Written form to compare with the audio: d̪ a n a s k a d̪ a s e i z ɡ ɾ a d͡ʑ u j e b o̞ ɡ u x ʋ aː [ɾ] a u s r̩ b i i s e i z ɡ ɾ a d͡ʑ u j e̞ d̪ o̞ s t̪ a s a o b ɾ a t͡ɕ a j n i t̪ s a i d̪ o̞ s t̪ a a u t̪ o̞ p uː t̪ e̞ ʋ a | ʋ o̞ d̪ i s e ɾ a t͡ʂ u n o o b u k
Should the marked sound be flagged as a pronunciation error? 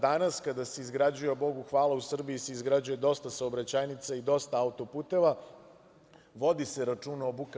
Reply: yes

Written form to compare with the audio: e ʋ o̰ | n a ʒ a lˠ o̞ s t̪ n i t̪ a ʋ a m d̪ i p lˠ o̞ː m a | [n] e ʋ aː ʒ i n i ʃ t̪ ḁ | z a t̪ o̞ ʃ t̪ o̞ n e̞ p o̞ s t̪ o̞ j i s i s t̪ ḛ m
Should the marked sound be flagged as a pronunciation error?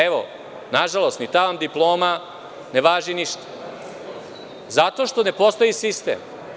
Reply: no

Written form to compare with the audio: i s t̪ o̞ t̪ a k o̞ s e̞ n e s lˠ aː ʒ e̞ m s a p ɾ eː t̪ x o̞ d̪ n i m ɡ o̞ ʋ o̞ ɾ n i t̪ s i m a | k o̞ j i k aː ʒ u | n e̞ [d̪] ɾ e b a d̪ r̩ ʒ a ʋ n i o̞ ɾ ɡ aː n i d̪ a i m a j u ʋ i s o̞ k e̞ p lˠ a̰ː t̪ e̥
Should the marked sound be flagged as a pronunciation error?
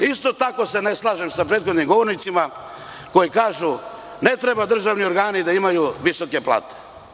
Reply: yes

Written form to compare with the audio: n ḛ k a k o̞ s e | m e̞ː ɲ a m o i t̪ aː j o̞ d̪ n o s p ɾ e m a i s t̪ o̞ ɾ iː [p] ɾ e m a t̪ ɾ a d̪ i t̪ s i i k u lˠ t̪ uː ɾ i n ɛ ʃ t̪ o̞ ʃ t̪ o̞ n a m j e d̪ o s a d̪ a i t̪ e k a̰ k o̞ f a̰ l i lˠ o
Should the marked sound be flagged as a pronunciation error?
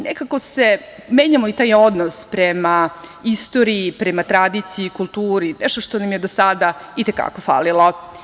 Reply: no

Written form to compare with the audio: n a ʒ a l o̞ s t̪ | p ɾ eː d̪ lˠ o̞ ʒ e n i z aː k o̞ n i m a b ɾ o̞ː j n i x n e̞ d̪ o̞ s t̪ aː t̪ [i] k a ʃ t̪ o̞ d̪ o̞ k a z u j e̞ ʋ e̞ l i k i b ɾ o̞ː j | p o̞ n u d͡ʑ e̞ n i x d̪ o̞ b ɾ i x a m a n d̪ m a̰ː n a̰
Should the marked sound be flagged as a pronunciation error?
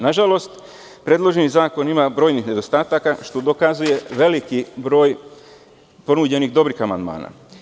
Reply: yes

